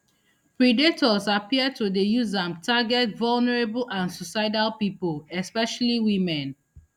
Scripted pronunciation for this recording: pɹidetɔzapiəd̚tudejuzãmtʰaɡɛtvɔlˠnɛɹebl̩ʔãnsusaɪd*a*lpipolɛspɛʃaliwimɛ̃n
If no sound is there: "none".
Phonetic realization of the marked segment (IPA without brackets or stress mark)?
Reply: a